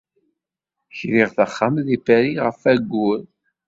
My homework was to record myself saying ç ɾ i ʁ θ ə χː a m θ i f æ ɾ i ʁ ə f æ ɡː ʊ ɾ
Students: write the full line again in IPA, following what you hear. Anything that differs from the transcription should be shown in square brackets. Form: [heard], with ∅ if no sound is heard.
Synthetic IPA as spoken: ç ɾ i ʁ θ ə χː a m [ð] i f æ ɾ i ʁ ə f æ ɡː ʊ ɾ